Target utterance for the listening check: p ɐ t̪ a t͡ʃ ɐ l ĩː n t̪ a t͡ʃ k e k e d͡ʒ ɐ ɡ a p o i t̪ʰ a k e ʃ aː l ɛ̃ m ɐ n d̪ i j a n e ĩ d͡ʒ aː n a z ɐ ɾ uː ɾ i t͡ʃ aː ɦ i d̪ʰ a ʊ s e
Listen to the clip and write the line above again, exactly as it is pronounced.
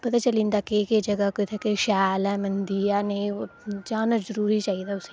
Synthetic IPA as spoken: p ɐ t̪ a t͡ʃ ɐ l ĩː n d̪ a k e k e d͡ʒ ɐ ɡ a k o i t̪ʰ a k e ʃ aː l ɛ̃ m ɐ n d̪ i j a n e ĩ d͡ʒ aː n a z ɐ ɾ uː ɾ i t͡ʃ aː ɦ i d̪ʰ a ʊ s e